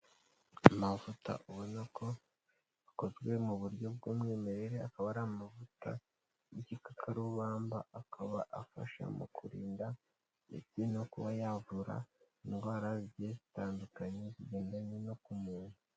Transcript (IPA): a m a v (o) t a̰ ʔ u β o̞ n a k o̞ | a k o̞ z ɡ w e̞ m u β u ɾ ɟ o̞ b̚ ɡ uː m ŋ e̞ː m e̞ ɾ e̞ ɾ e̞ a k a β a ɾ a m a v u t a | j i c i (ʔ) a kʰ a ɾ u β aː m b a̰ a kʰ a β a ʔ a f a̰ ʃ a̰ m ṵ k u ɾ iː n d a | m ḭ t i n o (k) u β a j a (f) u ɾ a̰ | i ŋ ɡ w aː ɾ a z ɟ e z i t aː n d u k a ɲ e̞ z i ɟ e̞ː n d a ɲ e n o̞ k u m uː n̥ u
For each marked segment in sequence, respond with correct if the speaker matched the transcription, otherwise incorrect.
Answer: incorrect: u, incorrect: k, correct, incorrect: v

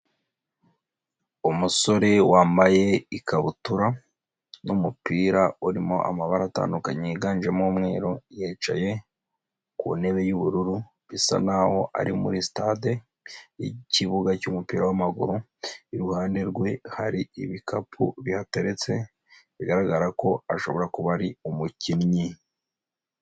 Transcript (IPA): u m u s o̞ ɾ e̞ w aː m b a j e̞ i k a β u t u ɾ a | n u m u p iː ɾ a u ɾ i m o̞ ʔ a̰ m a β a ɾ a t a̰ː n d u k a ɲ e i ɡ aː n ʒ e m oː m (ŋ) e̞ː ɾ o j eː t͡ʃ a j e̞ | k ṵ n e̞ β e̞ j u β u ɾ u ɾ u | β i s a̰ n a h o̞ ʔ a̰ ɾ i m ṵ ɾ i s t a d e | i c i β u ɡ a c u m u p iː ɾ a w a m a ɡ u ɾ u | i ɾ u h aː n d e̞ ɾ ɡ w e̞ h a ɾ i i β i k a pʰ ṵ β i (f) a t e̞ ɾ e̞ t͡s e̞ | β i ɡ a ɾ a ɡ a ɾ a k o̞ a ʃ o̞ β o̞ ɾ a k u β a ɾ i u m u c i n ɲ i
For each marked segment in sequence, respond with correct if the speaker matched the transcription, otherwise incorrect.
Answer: correct, incorrect: h

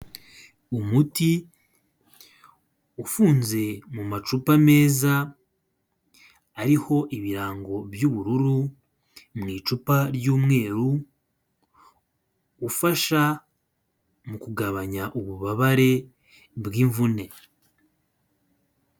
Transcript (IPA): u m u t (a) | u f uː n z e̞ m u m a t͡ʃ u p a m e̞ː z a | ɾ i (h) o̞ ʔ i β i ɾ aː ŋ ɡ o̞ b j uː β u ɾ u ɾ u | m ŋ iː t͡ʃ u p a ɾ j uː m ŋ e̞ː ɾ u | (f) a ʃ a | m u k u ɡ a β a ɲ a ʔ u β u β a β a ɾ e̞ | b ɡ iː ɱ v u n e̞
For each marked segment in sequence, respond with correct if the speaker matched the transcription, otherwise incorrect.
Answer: incorrect: i, correct, correct

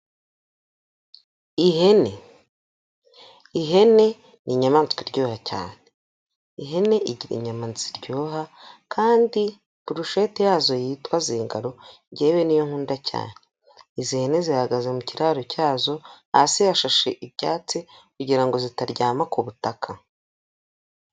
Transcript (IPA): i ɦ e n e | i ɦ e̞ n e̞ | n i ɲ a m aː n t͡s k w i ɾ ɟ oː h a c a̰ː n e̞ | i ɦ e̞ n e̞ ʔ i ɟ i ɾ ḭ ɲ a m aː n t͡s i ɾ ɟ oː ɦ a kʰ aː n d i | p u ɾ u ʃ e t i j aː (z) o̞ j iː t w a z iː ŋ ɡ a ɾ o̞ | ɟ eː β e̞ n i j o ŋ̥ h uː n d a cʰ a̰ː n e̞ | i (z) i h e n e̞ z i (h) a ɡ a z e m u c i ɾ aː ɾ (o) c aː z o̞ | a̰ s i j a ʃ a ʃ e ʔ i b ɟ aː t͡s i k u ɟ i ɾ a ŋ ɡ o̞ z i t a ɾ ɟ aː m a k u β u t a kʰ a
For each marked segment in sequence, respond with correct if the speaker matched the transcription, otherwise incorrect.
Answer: correct, correct, correct, correct

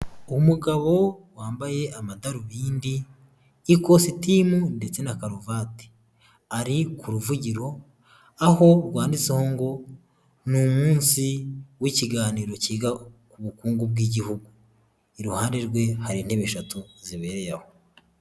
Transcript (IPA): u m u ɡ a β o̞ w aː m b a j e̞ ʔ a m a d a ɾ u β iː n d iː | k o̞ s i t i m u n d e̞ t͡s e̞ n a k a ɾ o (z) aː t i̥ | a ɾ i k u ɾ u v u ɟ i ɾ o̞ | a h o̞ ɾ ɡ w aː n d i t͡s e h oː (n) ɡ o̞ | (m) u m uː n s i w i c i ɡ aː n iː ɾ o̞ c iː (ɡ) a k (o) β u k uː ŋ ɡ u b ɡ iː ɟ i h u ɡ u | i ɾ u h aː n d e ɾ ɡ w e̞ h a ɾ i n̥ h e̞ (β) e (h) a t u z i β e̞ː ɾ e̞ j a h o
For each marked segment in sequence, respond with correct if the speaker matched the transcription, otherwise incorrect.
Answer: incorrect: v, incorrect: ŋ, incorrect: n, correct, incorrect: u, correct, incorrect: ʃ

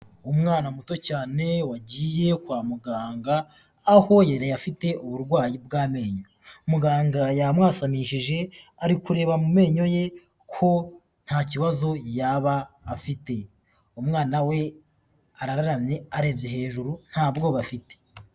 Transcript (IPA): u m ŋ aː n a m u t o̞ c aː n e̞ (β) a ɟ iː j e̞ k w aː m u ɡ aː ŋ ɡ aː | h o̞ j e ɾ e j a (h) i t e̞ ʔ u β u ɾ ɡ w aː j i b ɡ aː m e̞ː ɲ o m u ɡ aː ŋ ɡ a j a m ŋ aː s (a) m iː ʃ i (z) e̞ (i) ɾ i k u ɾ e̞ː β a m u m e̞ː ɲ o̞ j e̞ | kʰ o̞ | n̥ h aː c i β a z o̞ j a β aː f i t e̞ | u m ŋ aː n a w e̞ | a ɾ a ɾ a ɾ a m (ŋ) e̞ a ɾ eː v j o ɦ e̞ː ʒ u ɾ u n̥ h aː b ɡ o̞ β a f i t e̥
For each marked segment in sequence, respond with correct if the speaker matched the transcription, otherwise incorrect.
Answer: incorrect: w, incorrect: f, correct, incorrect: ʒ, incorrect: a, incorrect: ɲ

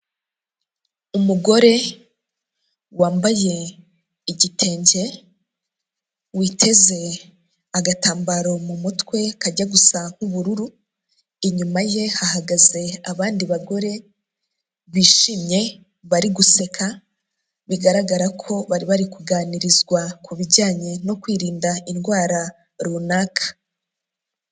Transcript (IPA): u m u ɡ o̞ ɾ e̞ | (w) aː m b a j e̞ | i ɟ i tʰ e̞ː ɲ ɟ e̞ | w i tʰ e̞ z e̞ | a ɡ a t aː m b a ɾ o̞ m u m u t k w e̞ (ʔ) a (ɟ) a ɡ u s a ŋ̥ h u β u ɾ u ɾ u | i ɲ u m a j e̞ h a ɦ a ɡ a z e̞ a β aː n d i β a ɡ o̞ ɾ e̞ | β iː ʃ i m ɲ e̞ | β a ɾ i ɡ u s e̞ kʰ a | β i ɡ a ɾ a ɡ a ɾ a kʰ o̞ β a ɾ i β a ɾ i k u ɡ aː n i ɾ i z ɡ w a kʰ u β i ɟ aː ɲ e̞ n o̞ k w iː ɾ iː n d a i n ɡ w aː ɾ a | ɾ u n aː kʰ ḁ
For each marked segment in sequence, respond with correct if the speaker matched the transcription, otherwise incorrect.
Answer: correct, incorrect: k, correct

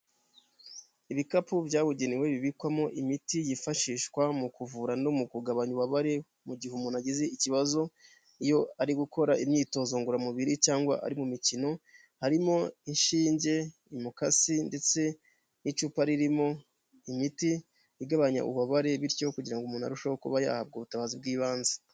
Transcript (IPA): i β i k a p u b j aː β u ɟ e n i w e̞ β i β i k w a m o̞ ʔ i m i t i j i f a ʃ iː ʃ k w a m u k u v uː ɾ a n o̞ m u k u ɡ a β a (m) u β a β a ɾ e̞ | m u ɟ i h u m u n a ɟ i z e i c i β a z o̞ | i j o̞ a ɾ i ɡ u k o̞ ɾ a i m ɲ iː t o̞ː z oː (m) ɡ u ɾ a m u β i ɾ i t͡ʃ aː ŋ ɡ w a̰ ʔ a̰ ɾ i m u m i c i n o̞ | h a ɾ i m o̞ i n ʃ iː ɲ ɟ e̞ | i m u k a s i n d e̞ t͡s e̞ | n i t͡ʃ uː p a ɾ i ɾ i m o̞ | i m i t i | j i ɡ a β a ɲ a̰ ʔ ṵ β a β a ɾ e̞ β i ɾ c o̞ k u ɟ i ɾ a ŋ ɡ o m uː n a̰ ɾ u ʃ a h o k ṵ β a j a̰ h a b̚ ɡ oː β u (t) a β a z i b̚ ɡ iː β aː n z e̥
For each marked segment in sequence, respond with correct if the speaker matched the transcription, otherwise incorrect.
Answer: incorrect: ɲ, incorrect: ŋ, correct

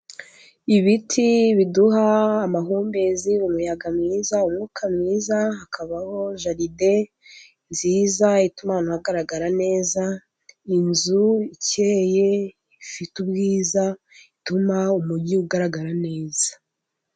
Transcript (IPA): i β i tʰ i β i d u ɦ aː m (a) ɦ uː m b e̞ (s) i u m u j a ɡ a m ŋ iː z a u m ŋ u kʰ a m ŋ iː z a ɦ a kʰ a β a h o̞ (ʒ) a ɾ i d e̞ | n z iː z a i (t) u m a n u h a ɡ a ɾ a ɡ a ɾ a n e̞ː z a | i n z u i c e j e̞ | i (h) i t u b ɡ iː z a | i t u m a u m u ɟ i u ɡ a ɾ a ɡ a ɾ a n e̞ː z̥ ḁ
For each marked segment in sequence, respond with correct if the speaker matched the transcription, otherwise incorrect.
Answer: correct, incorrect: z, correct, correct, incorrect: f

